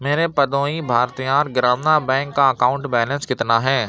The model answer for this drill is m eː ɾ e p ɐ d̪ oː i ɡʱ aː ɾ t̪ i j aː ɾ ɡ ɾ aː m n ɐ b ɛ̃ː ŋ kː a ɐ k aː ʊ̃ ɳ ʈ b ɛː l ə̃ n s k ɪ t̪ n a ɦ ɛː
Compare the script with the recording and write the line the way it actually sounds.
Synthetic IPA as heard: m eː ɾ e p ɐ d̪ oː i bʱ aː ɾ t̪ i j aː ɾ ɡ ɾ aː m n a b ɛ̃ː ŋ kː a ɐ k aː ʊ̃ ɳ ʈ b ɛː l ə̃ n s k ɪ t̪ n a ɦ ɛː